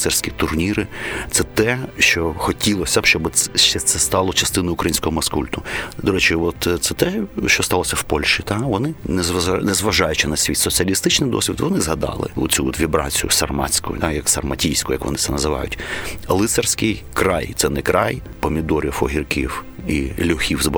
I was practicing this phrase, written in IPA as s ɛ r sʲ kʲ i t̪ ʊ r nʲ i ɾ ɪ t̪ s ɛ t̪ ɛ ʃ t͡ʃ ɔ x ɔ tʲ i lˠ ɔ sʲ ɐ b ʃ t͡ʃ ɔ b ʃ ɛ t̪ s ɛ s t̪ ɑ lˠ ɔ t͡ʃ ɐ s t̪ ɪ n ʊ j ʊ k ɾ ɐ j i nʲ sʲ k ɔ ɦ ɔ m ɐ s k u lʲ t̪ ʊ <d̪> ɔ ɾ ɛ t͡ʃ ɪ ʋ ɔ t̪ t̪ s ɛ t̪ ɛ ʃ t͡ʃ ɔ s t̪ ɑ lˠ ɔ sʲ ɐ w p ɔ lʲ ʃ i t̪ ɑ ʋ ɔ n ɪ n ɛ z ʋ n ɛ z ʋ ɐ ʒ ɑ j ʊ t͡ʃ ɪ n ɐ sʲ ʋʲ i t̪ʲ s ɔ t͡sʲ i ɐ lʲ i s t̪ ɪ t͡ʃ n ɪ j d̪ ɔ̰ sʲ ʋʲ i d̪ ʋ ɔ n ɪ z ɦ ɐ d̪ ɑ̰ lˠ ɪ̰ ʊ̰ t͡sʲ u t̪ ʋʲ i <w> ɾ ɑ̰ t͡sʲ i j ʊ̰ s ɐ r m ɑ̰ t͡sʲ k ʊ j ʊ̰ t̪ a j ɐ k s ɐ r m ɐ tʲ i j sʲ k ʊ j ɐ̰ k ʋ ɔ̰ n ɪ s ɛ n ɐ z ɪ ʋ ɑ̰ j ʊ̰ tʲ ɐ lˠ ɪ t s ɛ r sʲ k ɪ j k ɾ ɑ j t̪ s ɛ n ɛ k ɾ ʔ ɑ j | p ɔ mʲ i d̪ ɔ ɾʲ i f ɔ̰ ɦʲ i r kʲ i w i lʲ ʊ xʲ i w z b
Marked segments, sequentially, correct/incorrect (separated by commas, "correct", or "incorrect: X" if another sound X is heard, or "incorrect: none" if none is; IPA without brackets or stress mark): correct, incorrect: b